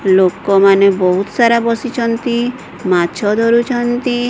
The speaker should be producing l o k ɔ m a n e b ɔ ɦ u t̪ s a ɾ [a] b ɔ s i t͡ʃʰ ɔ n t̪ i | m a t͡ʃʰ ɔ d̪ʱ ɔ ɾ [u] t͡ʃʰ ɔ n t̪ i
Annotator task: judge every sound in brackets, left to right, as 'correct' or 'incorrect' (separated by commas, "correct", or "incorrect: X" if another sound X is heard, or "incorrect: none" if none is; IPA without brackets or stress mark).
correct, correct